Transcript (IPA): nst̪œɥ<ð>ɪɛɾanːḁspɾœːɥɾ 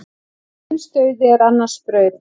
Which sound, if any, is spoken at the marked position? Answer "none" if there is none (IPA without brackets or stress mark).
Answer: ð